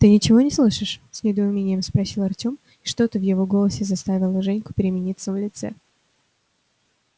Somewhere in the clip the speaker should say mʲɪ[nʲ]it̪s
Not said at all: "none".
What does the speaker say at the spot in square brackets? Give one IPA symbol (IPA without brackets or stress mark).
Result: nʲ